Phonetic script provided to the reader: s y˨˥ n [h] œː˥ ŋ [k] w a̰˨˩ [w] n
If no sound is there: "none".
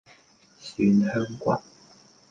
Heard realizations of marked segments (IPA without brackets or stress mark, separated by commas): h, k, none